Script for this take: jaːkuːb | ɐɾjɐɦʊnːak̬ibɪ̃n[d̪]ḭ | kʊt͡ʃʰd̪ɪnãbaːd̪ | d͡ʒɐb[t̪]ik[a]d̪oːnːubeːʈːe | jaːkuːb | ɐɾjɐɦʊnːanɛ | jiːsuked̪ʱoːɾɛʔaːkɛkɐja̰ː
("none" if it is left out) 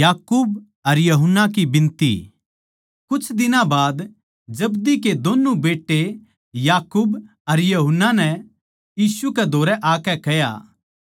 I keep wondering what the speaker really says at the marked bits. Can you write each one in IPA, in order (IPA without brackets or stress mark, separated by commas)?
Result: t̪, d̪, e